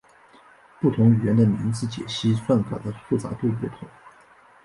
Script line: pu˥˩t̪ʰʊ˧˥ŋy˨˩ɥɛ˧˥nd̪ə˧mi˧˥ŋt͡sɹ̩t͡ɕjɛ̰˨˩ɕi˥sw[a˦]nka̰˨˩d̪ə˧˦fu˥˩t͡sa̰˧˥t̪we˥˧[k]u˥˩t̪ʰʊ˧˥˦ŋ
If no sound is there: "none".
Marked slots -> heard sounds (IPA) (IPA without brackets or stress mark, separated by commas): a˥˩, p